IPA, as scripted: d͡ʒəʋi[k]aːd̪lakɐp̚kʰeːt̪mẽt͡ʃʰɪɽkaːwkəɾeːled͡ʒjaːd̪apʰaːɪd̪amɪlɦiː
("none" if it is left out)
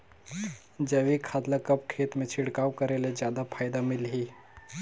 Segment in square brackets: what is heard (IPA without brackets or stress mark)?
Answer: kʰ